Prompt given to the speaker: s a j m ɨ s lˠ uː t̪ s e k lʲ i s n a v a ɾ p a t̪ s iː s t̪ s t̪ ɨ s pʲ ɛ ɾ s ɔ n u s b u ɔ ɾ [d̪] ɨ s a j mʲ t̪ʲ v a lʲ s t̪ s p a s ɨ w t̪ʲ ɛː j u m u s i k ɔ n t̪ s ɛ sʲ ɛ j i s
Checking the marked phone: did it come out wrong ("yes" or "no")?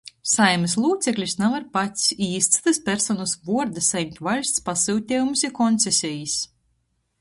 no